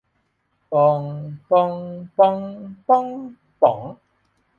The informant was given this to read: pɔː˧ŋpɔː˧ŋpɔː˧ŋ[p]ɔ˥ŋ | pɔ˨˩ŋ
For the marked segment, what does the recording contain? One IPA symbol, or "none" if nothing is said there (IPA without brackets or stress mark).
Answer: p